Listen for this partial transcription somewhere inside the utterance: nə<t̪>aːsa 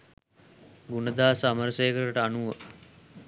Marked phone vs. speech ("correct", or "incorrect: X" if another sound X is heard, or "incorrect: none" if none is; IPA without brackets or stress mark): incorrect: d̪